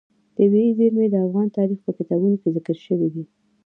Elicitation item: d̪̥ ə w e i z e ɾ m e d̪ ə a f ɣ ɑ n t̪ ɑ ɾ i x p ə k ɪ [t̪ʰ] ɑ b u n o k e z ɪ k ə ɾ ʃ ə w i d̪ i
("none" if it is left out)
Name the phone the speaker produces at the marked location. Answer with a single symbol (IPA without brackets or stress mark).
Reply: t̪